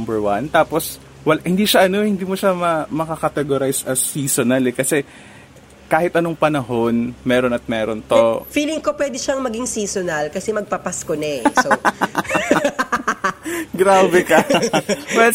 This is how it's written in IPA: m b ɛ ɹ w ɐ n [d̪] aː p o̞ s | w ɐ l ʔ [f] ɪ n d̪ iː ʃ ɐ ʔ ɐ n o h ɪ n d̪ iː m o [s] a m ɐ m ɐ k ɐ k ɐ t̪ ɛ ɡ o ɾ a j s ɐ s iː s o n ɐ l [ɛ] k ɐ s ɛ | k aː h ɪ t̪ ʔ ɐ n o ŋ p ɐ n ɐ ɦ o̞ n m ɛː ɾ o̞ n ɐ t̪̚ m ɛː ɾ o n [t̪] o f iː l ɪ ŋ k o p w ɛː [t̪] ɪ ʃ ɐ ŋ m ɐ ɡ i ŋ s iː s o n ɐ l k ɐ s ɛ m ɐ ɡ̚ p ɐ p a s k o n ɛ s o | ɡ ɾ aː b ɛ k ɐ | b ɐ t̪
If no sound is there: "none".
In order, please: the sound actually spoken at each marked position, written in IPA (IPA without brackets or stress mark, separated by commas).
t̪, h, ʃ, ɛ, t̪, d̪